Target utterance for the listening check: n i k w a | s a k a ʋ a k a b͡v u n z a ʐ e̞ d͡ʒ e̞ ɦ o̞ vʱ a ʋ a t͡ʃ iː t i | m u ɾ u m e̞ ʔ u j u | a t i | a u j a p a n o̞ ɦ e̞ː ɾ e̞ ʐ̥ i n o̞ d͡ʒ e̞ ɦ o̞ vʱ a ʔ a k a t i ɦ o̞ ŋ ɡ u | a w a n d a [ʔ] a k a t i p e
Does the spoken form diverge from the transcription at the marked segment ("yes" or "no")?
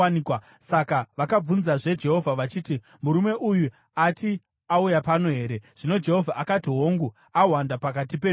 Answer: yes